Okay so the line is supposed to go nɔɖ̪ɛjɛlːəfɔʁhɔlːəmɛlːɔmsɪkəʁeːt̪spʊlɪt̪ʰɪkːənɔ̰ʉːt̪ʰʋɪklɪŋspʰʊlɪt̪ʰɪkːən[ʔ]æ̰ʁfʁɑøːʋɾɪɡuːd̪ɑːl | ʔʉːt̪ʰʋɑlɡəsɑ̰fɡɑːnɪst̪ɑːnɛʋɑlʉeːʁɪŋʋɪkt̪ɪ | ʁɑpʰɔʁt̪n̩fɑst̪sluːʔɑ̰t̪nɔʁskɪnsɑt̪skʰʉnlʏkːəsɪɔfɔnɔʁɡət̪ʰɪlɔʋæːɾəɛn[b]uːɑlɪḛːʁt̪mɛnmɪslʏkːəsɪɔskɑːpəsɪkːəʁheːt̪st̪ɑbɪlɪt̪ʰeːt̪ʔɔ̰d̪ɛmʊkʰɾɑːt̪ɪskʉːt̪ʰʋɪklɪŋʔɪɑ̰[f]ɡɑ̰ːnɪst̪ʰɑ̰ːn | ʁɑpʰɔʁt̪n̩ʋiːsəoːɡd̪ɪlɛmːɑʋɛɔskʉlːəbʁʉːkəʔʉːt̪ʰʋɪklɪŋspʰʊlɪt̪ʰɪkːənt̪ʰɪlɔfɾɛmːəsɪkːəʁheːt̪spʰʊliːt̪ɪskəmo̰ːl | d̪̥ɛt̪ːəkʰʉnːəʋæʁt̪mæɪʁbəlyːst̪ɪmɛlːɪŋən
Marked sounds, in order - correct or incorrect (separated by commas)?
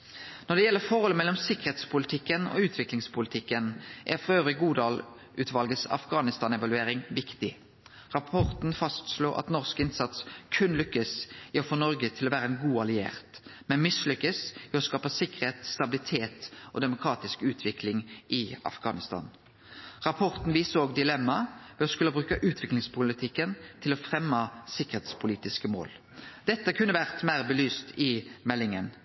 correct, incorrect, correct